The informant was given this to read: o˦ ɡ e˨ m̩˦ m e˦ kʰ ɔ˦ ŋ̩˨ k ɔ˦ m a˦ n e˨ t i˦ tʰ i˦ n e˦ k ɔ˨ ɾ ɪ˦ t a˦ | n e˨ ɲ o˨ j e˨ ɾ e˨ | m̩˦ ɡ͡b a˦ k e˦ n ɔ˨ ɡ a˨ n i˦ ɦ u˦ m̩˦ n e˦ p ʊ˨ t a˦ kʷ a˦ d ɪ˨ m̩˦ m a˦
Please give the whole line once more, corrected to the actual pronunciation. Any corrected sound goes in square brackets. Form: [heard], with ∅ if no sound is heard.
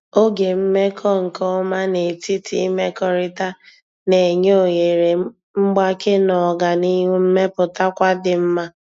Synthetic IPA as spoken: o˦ ɡ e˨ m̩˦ m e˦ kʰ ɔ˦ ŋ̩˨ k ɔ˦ m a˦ n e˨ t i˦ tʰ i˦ [m] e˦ k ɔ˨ ɾ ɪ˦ t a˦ | n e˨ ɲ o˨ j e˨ ɾ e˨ | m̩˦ ɡ͡b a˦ k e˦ n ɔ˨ ɡ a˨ n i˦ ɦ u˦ m̩˦ [m] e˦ p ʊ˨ t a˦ kʷ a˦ d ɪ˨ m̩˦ m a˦